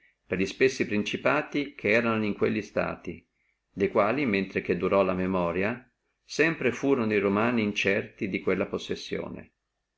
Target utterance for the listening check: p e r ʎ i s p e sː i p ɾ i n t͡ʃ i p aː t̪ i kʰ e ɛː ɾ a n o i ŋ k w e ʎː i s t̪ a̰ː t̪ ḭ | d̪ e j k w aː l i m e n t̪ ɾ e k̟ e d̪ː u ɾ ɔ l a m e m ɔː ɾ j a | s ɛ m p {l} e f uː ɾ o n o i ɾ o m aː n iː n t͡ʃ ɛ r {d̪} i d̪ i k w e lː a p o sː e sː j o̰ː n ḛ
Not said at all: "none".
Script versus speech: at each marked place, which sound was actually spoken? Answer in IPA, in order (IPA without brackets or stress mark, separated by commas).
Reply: ɾ, t̪